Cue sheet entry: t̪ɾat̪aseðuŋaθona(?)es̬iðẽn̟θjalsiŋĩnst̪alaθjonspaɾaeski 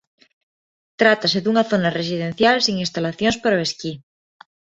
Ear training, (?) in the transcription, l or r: r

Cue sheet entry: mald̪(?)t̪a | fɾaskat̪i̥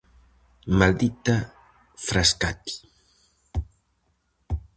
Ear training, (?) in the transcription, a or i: i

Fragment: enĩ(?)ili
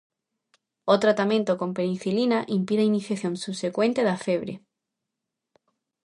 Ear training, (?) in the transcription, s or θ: θ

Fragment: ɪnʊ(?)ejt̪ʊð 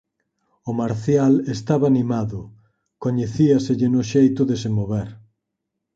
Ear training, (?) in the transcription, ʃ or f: ʃ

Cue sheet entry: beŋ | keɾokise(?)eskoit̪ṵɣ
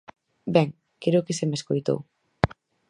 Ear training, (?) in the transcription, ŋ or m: m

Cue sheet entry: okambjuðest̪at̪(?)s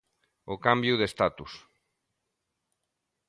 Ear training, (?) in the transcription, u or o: u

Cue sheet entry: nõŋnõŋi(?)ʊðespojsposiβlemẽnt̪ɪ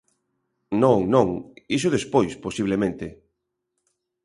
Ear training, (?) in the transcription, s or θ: s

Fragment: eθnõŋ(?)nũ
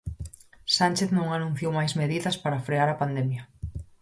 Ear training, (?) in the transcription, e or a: a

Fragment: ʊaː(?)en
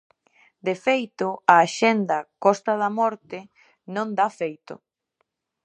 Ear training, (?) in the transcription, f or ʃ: ʃ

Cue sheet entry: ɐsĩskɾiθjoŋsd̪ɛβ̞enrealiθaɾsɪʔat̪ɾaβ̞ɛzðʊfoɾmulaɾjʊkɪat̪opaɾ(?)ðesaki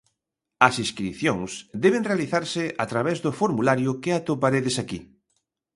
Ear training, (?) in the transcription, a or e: e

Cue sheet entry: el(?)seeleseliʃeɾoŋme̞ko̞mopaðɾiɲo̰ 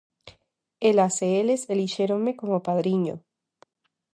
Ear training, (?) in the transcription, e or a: a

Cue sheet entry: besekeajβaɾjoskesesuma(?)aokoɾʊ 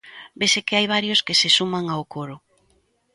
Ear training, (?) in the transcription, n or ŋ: ŋ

